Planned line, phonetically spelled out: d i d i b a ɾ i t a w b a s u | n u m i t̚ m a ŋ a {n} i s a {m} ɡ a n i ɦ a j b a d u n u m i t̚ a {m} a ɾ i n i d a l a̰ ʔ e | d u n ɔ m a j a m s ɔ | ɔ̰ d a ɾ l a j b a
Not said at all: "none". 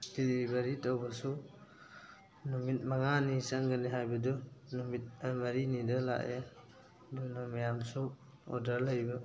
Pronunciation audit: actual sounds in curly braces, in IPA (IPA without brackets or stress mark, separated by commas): n, ŋ, m